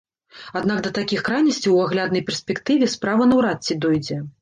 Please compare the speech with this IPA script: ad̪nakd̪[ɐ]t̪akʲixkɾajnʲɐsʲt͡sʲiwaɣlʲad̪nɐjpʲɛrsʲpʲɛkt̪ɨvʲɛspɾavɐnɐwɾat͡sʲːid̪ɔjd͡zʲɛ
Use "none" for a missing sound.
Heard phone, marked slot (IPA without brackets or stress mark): ɐ